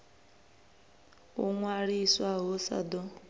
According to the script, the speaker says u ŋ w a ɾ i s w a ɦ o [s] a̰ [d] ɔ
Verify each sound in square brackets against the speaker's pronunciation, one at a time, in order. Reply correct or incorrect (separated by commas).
correct, correct